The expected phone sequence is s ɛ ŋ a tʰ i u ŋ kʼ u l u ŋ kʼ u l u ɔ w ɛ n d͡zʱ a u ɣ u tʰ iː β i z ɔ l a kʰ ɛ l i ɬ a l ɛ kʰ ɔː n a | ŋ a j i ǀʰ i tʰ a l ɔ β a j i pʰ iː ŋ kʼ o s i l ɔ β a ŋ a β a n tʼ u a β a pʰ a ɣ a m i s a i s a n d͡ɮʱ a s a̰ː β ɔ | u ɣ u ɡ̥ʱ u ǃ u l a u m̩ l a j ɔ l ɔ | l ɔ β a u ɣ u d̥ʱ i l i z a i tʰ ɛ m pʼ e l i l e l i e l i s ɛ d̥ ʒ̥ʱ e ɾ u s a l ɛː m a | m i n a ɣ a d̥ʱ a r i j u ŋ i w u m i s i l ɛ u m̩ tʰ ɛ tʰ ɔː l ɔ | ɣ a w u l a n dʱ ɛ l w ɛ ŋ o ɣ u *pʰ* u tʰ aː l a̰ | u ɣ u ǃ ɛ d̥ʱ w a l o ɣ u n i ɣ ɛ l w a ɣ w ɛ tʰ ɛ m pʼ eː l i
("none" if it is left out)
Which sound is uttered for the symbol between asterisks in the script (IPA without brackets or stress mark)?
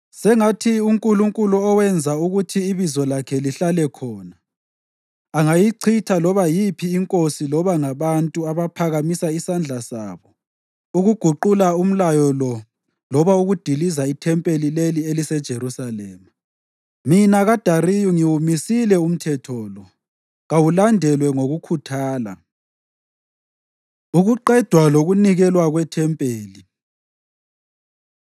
kʰ